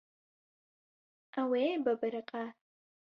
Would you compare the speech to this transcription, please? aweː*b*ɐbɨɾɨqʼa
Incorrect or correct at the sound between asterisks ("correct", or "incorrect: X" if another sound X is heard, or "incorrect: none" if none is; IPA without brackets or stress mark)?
correct